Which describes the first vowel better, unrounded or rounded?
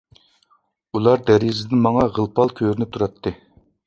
rounded